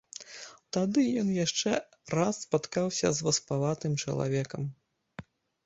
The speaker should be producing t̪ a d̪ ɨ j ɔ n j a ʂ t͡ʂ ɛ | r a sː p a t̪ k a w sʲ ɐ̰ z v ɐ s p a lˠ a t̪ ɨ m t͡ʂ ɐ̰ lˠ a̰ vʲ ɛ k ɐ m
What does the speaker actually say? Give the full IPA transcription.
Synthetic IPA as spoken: t̪ a d̪ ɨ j ɔ n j a ʂ t͡ʂ ɛ | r a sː p a t̪ k a w sʲ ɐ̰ z v ɐ s p a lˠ a t̪ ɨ m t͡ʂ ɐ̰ lˠ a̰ vʲ ɛ k ɐ m